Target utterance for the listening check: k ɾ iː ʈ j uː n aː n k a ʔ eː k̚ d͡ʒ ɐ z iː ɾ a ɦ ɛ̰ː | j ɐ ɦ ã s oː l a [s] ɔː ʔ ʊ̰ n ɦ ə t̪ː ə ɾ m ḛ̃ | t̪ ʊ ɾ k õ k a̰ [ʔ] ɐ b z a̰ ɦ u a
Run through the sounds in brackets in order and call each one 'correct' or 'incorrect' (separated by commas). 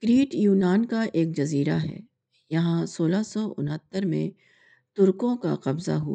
correct, incorrect